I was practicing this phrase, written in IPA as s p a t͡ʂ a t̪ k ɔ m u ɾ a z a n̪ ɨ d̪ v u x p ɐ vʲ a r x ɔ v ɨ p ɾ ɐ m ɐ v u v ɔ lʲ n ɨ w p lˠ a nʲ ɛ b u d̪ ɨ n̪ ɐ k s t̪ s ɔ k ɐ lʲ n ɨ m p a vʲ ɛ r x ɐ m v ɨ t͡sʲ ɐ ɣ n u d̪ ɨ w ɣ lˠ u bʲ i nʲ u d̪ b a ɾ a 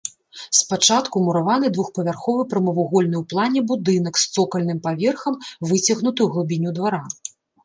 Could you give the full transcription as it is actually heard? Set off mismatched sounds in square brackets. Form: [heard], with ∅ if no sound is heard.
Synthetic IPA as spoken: s p a t͡ʂ a t̪ k [u] m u ɾ a [v] a n̪ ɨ d̪ v u x p ɐ vʲ a r x ɔ v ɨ p ɾ ɐ m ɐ v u [ɣ] ɔ lʲ n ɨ w p lˠ a nʲ ɛ b u d̪ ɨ n̪ ɐ k s t̪ s ɔ k ɐ lʲ n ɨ m p a vʲ ɛ r x ɐ m v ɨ t͡sʲ ɐ ɣ n u [t̪] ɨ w ɣ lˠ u bʲ i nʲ u d̪ [v] a ɾ a